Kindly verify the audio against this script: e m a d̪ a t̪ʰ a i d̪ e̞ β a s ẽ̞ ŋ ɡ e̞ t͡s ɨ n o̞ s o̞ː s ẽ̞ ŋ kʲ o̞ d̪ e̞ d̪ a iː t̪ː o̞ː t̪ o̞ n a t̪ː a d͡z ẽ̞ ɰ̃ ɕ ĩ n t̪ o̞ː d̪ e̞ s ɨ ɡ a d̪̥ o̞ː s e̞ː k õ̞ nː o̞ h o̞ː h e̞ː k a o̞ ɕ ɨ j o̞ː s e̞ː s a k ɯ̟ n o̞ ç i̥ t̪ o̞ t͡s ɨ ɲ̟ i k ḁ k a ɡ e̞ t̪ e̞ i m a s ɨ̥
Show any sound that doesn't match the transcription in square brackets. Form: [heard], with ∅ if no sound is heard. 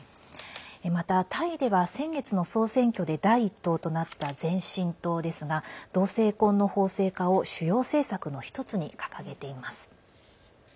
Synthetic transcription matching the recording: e m a [t̪] a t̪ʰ a i d̪ e̞ β a s ẽ̞ ŋ ɡ e̞ t͡s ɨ n o̞ s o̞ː s ẽ̞ ŋ kʲ o̞ d̪ e̞ d̪ a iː t̪ː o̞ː t̪ o̞ n a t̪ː a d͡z ẽ̞ ɰ̃ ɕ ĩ n t̪ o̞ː d̪ e̞ s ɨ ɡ a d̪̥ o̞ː s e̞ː k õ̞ nː o̞ h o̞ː [s] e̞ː k a o̞ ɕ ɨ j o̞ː s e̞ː s a k ɯ̟ n o̞ ç i̥ t̪ o̞ t͡s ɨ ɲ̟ i k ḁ k a ɡ e̞ t̪ e̞ i m a s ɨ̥

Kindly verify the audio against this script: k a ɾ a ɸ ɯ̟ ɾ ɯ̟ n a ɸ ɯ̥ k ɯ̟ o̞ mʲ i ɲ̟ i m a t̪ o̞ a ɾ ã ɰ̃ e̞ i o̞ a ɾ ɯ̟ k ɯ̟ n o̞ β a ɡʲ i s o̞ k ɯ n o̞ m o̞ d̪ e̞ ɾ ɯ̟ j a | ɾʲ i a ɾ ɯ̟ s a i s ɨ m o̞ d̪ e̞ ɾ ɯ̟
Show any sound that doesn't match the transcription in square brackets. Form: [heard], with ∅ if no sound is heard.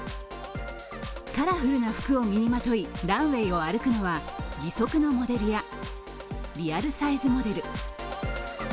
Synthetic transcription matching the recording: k a ɾ a ɸ ɯ̟ ɾ ɯ̟ n a ɸ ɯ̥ k ɯ̟ o̞ mʲ i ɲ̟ i m a t̪ o̞ [i] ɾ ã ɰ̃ e̞ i o̞ a ɾ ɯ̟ k ɯ̟ n o̞ β a ɡʲ i s o̞ k ɯ n o̞ m o̞ d̪ e̞ ɾ ɯ̟ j a | ɾʲ i a ɾ ɯ̟ s a i [z] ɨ m o̞ d̪ e̞ ɾ ɯ̟

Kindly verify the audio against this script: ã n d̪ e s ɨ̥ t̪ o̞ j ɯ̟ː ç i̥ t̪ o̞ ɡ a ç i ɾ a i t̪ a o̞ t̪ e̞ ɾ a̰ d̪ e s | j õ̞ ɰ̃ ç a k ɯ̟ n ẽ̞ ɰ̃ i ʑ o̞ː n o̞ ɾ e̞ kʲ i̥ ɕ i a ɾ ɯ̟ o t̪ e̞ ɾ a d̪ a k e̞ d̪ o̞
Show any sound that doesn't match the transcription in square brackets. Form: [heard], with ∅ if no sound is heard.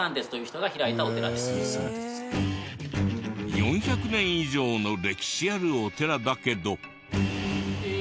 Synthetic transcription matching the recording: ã n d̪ e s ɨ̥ t̪ o̞ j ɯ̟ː ç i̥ t̪ o̞ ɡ a ç i ɾ a i t̪ a o̞ t̪ e̞ ɾ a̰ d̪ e s | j õ̞ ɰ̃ ç a k ɯ̟ n ẽ̞ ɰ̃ i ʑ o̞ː n o̞ ɾ e̞ kʲ i̥ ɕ i a ɾ ɯ̟ o t̪ e̞ ɾ a d̪ a k e̞ d̪ o̞

